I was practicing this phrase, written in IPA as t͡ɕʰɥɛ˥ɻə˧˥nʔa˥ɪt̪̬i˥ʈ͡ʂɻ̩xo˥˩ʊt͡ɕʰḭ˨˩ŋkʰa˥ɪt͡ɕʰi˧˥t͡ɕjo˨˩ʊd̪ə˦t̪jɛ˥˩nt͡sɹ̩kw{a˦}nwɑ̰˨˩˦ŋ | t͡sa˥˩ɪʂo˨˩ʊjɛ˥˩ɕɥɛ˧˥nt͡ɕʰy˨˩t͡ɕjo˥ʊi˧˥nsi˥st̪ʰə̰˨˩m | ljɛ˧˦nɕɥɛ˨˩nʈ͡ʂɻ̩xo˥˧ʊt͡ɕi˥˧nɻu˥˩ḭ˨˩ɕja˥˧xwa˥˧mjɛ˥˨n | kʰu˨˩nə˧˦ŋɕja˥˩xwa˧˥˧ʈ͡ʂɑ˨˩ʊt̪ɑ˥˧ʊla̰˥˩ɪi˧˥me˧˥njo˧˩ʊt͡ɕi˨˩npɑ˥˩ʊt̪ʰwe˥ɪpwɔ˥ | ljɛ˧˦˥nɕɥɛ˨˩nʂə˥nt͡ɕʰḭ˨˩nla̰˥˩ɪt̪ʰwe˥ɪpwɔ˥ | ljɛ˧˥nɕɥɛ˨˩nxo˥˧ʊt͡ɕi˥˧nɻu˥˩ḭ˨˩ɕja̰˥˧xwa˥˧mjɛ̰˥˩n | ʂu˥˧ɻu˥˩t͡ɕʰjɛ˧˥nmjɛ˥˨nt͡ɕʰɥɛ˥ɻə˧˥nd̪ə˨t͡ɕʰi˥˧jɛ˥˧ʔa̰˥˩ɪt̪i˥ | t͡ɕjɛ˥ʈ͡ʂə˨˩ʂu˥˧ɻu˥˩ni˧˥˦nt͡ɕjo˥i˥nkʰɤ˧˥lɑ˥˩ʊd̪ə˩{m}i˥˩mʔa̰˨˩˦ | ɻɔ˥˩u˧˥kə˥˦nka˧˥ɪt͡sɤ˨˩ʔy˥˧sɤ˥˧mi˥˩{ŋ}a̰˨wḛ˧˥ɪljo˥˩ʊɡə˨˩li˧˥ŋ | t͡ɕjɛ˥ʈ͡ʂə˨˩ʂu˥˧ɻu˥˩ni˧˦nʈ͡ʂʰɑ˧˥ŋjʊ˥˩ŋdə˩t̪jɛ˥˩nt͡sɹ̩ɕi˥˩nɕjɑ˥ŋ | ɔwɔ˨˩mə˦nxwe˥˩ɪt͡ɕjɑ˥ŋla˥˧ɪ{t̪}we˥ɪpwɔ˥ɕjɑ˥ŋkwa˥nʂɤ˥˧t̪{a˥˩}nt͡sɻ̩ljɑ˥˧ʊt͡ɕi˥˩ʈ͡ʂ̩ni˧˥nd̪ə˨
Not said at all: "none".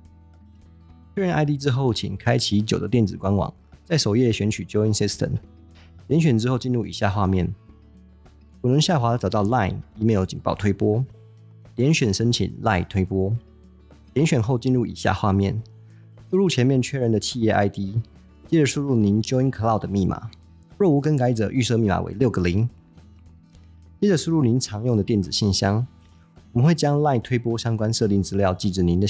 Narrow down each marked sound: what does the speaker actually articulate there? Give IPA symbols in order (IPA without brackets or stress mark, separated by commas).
a˦, m, m, t̪ʰ, i˥˩